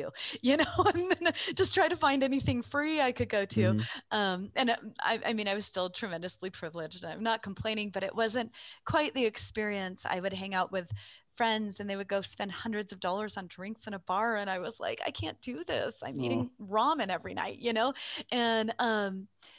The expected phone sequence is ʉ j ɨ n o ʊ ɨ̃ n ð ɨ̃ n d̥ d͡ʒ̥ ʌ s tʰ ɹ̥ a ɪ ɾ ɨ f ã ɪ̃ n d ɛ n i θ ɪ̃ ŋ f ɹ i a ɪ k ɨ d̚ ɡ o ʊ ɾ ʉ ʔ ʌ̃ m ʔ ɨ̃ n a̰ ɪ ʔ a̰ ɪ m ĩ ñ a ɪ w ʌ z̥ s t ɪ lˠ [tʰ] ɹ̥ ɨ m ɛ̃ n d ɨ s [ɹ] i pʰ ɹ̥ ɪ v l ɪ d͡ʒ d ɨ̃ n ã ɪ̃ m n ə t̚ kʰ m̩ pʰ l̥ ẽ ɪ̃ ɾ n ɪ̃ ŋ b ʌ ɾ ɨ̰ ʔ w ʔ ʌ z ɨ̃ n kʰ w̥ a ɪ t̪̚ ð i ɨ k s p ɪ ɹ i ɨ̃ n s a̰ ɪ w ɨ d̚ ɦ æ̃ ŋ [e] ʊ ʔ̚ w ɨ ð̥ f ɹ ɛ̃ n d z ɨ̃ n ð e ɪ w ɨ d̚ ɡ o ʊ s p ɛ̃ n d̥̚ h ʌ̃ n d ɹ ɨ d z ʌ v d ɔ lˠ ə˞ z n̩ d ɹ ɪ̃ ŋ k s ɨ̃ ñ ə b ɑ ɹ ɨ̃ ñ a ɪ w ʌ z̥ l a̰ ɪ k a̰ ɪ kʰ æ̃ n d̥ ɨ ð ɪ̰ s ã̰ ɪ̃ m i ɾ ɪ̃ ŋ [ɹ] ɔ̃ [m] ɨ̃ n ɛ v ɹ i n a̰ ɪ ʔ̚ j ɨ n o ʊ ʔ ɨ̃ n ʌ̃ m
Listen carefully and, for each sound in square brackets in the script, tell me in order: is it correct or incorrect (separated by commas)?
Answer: correct, incorrect, incorrect, correct, correct